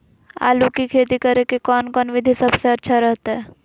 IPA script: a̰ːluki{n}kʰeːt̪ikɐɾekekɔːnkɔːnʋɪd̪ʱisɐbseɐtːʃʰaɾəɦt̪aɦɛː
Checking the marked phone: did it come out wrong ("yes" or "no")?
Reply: yes